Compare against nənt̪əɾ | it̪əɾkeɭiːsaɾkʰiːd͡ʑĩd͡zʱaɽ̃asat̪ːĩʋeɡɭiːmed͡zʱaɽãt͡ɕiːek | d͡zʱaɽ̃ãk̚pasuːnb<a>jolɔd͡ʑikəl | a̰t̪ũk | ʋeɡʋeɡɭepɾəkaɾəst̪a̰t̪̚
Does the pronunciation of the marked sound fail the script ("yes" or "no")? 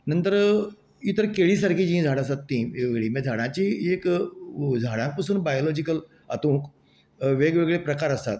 no